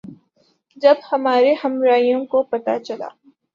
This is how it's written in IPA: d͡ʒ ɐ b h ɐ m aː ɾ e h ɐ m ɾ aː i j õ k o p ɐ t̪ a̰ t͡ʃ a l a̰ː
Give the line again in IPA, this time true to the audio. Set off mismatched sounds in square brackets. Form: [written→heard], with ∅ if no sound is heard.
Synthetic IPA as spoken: d͡ʒ ɐ b h ɐ m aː ɾ e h ɐ m ɾ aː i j õ k o p ɐ t̪ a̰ t͡ʃ [a→ɐ] l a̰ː